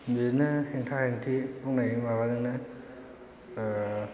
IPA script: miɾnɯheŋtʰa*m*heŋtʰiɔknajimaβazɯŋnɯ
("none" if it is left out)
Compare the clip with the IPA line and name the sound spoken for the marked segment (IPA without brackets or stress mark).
none